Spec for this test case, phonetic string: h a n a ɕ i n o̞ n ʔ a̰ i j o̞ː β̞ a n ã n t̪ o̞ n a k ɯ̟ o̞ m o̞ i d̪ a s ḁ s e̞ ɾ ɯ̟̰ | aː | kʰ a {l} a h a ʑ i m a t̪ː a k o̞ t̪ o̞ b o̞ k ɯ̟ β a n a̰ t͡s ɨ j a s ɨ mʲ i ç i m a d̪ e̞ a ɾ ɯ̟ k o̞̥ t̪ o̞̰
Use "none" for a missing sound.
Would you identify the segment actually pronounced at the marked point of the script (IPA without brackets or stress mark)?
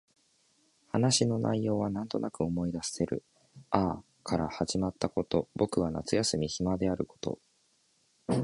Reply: ɾ